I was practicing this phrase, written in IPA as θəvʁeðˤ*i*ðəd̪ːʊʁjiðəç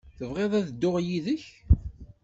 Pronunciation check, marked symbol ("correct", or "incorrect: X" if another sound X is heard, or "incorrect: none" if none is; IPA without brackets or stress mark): incorrect: æ